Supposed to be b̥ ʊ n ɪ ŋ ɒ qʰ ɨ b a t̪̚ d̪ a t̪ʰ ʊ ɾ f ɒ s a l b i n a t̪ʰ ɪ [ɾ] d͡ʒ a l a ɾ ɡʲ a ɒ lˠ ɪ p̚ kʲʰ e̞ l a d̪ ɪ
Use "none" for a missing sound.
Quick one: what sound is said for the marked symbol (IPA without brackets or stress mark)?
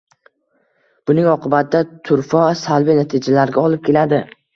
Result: none